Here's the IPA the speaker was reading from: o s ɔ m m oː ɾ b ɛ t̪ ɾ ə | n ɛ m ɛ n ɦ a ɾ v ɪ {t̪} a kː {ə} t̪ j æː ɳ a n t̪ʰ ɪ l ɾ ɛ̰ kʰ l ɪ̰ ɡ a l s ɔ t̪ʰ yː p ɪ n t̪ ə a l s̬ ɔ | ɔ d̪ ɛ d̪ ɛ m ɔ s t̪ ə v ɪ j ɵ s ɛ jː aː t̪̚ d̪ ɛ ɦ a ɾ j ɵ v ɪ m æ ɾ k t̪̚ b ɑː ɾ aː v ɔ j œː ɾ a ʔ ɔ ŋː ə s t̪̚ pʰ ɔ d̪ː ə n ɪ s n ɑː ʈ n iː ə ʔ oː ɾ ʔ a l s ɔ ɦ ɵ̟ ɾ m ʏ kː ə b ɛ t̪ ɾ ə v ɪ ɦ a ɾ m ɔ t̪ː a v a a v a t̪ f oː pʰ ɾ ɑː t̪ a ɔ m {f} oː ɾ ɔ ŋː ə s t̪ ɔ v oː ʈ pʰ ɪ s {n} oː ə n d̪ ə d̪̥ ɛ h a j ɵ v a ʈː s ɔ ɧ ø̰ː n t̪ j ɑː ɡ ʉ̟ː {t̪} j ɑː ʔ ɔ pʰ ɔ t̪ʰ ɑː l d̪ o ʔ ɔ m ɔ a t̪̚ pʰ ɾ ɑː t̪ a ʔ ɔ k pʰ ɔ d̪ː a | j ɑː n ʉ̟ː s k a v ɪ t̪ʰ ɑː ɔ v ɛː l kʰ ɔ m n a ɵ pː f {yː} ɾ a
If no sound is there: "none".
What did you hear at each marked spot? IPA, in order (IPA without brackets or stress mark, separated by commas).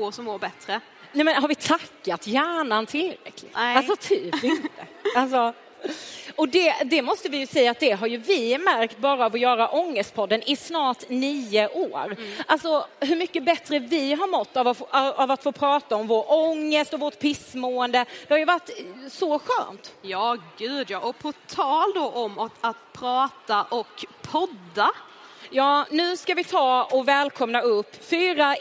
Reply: t̪ʰ, a, v, m, d̪, yː